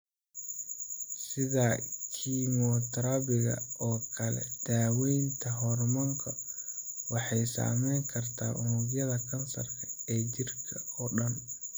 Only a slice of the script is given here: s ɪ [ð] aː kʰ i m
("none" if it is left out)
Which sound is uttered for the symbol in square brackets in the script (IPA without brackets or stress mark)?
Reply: ð